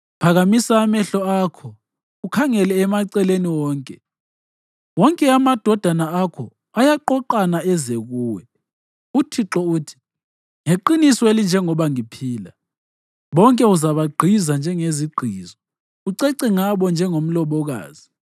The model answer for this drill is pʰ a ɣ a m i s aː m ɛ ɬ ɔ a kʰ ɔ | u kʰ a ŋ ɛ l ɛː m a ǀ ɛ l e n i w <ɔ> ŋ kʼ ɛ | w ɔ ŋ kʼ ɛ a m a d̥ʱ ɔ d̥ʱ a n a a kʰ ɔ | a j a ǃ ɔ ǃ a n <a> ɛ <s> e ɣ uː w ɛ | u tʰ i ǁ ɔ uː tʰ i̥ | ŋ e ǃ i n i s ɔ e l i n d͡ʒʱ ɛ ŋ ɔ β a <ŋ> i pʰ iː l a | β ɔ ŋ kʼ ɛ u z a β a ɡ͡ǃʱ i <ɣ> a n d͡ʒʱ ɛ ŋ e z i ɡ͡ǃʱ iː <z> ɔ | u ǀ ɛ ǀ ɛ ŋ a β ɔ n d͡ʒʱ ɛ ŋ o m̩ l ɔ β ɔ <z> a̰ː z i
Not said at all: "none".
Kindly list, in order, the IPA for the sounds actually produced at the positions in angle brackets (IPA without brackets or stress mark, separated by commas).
ɔː, a, z, ŋ, z, z, ɣ